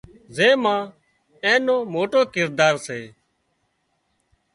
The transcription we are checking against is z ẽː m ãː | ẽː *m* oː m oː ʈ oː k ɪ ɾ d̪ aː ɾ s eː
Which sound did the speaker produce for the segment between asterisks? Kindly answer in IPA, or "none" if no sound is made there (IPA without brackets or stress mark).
n